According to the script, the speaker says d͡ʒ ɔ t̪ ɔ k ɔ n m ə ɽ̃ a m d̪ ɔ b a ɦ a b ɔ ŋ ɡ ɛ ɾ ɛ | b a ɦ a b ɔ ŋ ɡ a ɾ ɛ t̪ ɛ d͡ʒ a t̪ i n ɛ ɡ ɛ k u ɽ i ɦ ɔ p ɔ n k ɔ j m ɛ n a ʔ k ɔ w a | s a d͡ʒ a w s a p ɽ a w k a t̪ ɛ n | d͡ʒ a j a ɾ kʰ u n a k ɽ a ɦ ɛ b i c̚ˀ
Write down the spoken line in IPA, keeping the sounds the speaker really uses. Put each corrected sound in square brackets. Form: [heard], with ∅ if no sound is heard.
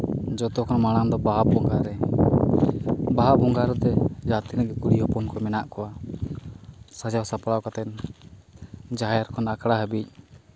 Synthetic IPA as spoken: d͡ʒ ɔ t̪ ɔ k ɔ n m [a] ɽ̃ a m d̪ ɔ b a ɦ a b ɔ ŋ ɡ [a] ɾ ɛ | b a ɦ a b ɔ ŋ ɡ a ɾ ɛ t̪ ɛ d͡ʒ a t̪ i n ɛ ɡ ɛ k u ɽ i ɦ ɔ p ɔ n k ɔ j m ɛ n a ʔ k ɔ w a | s a d͡ʒ a w s a p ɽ a w k a t̪ ɛ n | d͡ʒ a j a ɾ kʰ [ɔ] n a k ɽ a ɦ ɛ b i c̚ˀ